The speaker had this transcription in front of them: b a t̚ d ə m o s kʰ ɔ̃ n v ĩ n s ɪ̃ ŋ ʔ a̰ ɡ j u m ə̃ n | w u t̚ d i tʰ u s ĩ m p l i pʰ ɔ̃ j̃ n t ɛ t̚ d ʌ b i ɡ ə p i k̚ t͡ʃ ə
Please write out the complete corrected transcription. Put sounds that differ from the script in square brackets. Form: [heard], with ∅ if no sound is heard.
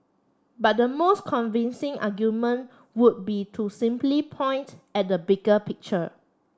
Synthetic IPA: b a t̚ d ə m o s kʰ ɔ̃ n v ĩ n s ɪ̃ ŋ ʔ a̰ ɡ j u m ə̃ n | w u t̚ [b] i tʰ u s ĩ m p l i pʰ ɔ̃ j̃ n t ɛ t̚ d [ə] b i ɡ ə p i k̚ t͡ʃ ə